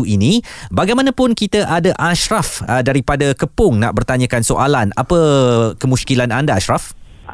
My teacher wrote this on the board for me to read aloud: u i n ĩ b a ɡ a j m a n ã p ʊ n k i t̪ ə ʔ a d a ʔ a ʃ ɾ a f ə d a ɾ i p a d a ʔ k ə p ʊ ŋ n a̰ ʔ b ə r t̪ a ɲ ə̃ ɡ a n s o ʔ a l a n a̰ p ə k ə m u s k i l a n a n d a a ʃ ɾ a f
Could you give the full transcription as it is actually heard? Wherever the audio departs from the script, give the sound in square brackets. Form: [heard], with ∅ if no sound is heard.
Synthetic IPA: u i n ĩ b a ɡ a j m a n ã p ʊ n k i t̪ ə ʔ a d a ʔ a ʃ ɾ a f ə d a ɾ i p a d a [∅] k ə p ʊ ŋ n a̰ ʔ b ə r t̪ a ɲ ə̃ [k] a n s o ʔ a l a n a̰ p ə k ə m u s k i l a n a n d a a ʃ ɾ a f